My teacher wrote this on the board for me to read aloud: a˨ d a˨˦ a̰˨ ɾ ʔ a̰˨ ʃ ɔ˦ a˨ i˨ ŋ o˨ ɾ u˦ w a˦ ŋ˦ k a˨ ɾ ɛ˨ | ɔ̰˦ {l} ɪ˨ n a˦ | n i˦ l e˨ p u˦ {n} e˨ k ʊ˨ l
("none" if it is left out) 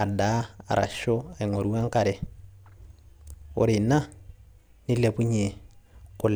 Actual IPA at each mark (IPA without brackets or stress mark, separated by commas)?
ɾ, ɲ